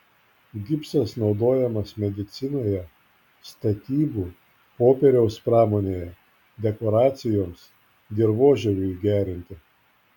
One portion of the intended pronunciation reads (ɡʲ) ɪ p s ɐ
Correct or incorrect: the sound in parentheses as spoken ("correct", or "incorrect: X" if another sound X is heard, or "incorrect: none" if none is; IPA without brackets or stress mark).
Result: correct